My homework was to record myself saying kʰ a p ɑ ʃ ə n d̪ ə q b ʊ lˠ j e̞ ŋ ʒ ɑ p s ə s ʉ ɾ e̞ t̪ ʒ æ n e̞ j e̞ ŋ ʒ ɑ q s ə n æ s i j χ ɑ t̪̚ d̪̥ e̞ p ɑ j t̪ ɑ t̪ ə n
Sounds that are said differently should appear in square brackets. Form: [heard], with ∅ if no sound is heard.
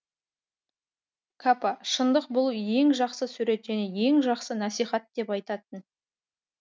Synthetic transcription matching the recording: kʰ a p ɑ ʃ ə n d̪ ə q b ʊ lˠ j e̞ ŋ ʒ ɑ [q] s ə s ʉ ɾ e̞ t̪ ʒ æ n e̞ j e̞ ŋ ʒ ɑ q s ə n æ s i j χ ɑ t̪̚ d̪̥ e̞ p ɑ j t̪ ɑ t̪ ə n